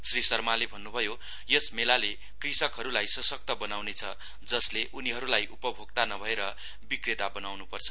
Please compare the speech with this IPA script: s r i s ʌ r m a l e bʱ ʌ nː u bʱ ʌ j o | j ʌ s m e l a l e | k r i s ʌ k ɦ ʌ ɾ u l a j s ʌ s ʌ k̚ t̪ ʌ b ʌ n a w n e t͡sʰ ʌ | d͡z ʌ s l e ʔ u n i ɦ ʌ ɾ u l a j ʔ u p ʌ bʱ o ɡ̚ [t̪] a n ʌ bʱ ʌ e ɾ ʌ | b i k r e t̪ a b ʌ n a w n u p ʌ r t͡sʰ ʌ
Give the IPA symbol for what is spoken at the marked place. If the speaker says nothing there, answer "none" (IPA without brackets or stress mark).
t̪